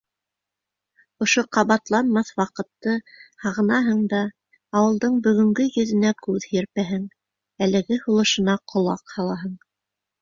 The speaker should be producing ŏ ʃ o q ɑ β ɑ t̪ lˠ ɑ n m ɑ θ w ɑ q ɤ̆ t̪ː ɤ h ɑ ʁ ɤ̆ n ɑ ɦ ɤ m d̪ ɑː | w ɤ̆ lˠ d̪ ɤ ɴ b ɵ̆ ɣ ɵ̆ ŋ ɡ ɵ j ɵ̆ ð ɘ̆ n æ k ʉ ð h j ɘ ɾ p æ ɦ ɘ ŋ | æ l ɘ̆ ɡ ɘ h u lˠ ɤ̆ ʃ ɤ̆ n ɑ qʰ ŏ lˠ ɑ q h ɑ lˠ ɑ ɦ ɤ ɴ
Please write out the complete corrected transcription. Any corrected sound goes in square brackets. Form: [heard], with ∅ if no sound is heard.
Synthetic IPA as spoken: ŏ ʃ o q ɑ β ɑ t̪ lˠ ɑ n m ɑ θ w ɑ q ɤ̆ t̪ː ɤ h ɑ ʁ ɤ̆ n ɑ ɦ ɤ [ɴ] d̪ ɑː | w ɤ̆ lˠ d̪ ɤ ɴ b ɵ̆ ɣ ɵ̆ ŋ ɡ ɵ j ɵ̆ ð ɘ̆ n æ k ʉ ð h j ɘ ɾ p æ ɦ ɘ ŋ | æ l ɘ̆ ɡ ɘ h u lˠ ɤ̆ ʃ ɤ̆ n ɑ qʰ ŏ lˠ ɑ q h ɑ lˠ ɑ ɦ ɤ ɴ